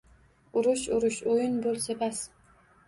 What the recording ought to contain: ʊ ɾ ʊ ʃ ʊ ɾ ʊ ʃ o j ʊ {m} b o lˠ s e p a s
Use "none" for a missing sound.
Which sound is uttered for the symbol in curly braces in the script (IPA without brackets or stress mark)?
n